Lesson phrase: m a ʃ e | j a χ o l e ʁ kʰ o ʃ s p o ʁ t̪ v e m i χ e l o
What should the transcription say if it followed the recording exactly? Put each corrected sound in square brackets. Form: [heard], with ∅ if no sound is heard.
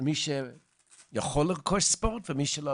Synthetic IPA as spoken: m [i] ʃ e | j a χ o l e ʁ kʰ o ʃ s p o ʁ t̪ v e m i [ʃ] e l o